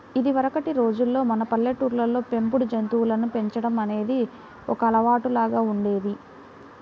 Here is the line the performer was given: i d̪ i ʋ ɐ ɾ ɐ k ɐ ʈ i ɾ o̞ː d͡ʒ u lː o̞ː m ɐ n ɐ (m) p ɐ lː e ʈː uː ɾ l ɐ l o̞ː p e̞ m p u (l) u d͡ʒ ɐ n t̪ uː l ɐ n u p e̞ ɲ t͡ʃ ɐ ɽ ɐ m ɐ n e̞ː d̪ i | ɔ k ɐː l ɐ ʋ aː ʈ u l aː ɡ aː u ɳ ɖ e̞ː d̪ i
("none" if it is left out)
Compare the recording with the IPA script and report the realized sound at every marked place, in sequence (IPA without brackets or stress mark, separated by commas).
none, ɽ